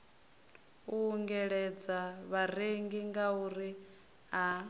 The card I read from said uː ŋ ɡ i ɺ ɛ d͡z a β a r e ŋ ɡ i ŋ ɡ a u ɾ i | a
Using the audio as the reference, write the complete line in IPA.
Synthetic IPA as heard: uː ŋ ɡ ɛ ɺ ɛ d͡z a β a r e ŋ ɡ i ŋ ɡ a u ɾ i | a